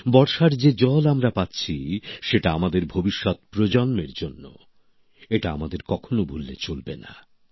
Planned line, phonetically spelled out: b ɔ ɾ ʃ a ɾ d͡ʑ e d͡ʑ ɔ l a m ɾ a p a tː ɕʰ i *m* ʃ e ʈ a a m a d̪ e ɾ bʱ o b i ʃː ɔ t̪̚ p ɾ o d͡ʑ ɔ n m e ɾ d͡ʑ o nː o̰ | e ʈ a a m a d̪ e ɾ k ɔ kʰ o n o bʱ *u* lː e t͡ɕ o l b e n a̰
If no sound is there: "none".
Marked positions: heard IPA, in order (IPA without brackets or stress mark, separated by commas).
none, u